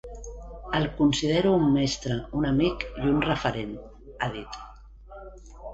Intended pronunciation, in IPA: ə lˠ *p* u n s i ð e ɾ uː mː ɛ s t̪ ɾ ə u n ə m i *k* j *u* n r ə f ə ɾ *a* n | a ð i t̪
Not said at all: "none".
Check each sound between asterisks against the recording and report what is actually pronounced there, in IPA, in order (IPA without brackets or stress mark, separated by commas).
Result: k, k, u, e